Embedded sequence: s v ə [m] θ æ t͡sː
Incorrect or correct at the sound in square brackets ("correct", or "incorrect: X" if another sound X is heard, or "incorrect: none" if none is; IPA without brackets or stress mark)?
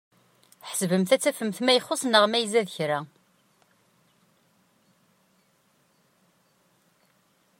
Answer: correct